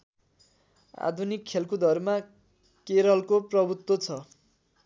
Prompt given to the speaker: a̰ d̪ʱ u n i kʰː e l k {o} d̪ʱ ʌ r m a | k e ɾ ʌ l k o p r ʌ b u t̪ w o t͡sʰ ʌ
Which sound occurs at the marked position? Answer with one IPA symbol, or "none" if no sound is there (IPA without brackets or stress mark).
u